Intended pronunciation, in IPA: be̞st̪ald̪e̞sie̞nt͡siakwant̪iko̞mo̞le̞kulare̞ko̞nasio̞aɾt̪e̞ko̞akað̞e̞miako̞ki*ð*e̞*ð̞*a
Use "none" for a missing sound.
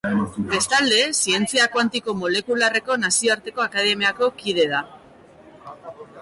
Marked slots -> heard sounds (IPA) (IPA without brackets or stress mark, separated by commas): ð, ð̞